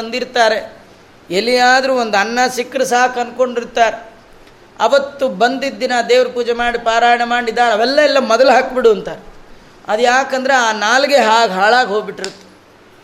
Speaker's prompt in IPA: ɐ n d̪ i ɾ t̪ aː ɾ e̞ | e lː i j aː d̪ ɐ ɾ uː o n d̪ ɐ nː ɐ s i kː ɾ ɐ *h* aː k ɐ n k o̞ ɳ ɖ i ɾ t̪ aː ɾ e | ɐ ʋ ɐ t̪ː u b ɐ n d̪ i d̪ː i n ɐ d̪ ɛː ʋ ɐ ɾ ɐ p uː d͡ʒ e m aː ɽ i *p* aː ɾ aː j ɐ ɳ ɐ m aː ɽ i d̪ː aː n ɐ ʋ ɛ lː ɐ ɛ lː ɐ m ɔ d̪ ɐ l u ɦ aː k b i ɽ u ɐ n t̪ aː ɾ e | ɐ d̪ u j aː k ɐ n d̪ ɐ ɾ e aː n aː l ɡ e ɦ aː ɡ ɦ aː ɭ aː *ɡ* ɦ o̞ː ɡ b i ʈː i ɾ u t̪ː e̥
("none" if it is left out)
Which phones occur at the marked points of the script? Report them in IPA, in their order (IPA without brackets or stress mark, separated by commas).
s, p, ɡ